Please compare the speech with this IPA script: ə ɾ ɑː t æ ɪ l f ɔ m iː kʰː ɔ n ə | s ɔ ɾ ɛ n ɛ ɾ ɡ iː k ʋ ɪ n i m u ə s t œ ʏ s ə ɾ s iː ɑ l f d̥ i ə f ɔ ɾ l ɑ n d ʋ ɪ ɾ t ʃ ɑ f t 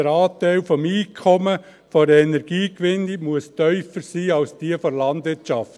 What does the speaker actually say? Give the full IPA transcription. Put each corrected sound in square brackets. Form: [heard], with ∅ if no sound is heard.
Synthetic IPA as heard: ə ɾ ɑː t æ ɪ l f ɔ m iː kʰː ɔ [m] ə | [f] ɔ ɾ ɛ n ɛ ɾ ɡ iː k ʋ ɪ n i m u ə s t œ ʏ [f] ə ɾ s iː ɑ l [s] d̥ i ə f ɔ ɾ l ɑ n d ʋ ɪ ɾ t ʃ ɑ f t